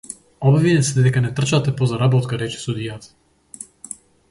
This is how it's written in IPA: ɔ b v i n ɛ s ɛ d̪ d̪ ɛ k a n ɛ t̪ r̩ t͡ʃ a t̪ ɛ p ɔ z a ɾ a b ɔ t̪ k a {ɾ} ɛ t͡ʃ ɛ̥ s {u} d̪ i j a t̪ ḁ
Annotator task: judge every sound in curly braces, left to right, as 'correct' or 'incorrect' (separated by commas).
correct, correct